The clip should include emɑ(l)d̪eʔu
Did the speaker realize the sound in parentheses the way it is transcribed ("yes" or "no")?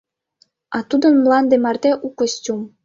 no